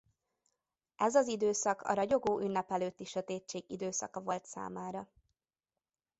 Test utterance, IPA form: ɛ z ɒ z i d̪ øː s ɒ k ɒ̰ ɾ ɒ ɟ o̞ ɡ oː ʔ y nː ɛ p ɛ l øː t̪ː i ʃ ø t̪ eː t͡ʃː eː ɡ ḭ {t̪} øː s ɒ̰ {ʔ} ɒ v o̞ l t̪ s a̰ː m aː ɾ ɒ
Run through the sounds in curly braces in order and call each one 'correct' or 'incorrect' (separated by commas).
incorrect, incorrect